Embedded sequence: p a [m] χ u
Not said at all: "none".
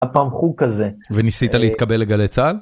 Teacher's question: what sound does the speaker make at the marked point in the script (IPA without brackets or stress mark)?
m